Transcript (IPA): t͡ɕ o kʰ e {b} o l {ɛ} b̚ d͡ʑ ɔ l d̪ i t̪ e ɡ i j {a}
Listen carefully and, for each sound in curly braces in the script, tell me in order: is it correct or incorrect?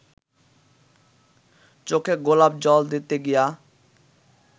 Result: incorrect, incorrect, correct

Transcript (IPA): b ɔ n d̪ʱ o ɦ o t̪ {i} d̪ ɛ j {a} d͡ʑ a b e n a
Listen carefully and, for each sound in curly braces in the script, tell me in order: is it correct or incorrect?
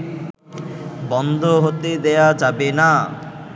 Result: incorrect, correct

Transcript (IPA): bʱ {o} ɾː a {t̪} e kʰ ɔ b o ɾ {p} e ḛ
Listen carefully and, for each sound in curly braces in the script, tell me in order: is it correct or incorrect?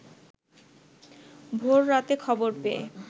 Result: correct, correct, correct

